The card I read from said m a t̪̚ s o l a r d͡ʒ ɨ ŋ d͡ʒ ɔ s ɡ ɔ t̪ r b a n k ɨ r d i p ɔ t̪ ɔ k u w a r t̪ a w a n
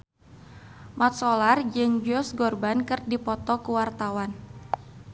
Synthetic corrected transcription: m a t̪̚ s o l a r d͡ʒ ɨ ŋ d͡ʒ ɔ s ɡ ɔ r b a n k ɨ r d i p ɔ t̪ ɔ k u w a r t̪ a w a n